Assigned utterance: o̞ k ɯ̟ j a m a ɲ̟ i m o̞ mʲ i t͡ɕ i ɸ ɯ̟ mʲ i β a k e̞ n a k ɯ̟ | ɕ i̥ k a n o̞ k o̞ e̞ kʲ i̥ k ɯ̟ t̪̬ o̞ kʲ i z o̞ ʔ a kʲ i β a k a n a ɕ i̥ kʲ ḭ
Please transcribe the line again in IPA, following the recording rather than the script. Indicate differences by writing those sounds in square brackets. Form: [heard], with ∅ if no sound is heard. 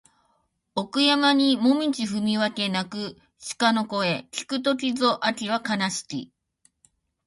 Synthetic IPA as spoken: o̞ k ɯ̟ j a m a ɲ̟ i m o̞ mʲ i t͡ɕ i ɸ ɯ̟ mʲ i β a k e̞ n a k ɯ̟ | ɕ i̥ k a n o̞ k o̞ e̞ kʲ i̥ k ɯ̟ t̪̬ o̞ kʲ i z o̞ ʔ a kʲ i β a k a n a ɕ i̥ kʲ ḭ